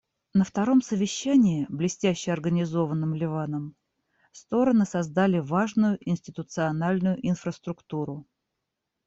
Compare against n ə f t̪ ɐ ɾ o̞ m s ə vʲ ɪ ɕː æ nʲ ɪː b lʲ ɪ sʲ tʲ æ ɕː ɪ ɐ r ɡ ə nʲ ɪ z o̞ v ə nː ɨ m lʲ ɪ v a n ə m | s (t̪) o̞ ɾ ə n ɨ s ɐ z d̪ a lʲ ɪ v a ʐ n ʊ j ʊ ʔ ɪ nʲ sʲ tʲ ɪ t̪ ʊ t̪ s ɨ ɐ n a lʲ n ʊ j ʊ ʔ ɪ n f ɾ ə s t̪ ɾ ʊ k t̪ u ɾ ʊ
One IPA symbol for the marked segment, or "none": t̪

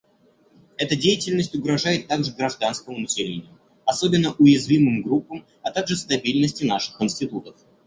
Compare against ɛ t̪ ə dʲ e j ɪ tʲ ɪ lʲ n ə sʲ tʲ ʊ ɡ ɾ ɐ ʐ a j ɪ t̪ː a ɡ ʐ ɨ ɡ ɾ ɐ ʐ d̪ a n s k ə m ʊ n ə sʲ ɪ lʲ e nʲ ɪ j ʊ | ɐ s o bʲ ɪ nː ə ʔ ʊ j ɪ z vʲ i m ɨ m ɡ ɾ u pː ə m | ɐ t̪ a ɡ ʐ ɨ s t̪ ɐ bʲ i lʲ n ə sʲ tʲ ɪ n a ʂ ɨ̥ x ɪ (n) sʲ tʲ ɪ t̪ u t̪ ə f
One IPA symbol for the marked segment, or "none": n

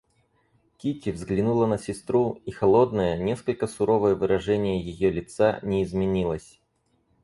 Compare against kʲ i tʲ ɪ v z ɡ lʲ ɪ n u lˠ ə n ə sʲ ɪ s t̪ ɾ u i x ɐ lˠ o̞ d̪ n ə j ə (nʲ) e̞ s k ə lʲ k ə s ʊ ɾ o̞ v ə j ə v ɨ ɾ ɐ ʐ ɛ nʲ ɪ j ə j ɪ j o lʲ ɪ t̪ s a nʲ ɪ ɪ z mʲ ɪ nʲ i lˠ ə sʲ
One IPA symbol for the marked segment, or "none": nʲ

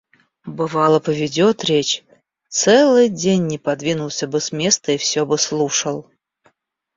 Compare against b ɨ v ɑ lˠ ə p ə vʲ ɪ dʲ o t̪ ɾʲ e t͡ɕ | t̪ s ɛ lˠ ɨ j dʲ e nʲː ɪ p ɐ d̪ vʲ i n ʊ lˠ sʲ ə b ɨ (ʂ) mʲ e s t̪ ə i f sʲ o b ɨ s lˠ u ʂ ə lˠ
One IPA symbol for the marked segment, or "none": s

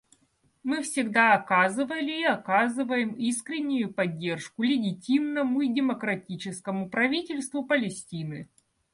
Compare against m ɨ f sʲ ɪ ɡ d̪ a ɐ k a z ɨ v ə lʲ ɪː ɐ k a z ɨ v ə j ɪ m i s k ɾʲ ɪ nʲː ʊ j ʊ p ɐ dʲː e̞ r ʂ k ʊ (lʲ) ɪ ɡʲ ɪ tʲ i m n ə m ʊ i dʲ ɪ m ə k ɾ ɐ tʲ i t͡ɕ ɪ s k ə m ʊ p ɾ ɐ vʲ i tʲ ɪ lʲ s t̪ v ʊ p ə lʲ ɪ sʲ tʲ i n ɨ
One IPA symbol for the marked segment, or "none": lʲ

